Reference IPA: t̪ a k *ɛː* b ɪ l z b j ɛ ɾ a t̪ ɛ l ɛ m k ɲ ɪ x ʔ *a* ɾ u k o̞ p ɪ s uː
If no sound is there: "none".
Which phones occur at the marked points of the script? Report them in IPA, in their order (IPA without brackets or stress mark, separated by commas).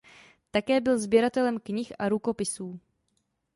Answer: ɛː, a